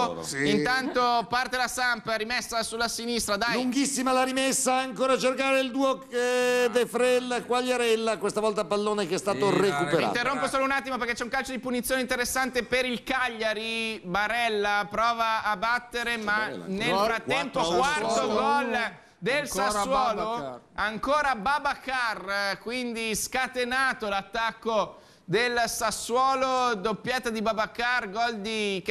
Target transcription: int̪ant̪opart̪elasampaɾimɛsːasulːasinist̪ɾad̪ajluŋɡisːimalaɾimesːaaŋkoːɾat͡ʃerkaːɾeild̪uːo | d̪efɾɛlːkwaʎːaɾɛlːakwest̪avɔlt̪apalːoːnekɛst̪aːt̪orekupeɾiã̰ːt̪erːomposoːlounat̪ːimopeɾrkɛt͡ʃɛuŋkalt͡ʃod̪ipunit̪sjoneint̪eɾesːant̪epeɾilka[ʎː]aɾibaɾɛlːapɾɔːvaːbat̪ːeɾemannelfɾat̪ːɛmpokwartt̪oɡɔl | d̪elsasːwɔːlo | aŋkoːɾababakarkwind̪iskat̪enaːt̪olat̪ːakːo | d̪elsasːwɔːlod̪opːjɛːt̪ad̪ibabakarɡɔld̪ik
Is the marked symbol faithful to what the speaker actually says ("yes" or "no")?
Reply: yes